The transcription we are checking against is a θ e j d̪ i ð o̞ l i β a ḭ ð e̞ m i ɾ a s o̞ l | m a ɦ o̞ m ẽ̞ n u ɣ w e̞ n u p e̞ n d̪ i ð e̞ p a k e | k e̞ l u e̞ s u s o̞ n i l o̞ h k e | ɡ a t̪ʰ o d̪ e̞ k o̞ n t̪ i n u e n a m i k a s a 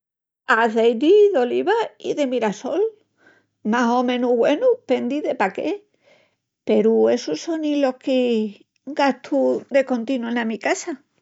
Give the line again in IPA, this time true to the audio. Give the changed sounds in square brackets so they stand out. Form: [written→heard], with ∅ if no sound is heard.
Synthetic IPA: a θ e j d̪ i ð o̞ l i β a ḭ ð e̞ m i ɾ a s o̞ l | m a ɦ o̞ m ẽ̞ n u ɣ w e̞ n u p e̞ n d̪ i ð e̞ p a k e | [k→p] e̞ [l→ɾ] u e̞ s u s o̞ n i l o̞ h k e | ɡ a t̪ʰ [o→u] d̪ e̞ k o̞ n t̪ i n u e n a m i k a s a